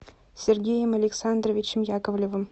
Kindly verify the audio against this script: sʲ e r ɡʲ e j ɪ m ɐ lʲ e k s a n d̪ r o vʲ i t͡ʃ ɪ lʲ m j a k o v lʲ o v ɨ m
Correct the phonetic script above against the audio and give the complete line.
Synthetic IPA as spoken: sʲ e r ɡʲ e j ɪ m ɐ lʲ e k s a n d̪ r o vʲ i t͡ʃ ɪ m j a k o v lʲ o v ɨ m